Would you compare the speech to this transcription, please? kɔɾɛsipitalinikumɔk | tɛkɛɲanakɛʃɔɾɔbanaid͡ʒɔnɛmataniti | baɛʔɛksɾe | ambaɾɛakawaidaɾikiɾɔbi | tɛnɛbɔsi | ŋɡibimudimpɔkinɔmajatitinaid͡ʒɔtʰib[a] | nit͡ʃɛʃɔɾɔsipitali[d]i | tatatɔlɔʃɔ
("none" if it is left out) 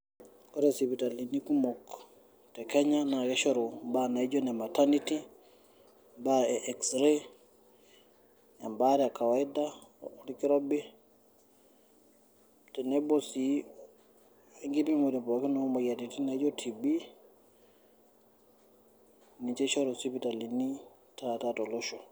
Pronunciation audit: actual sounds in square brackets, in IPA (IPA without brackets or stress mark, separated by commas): i, n